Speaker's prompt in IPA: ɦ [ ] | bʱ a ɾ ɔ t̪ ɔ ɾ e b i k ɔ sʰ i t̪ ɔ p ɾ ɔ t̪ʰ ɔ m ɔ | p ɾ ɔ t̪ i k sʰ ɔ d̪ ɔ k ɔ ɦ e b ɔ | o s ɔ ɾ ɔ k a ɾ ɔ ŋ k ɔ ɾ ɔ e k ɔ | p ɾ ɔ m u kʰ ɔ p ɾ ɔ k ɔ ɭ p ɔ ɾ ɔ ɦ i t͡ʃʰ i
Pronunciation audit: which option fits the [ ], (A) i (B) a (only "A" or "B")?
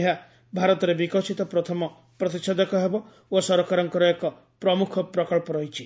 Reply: B